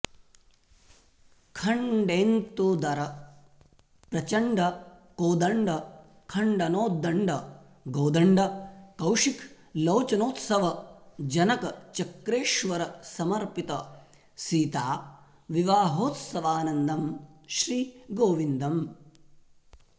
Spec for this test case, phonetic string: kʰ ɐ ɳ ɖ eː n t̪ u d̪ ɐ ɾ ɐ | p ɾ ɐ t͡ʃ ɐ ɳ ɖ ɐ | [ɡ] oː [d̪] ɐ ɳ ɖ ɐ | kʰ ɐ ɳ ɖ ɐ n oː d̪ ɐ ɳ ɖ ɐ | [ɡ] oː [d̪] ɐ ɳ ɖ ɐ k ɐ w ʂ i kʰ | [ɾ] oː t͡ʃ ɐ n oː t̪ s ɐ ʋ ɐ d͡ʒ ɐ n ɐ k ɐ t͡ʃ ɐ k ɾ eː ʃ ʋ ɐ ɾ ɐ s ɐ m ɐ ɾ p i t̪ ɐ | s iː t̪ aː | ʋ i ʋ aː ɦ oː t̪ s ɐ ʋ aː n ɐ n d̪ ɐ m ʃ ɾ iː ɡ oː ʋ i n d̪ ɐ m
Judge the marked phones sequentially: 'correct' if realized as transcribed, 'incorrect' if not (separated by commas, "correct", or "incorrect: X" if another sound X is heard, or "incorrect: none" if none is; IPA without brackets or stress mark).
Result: incorrect: k, correct, correct, correct, incorrect: l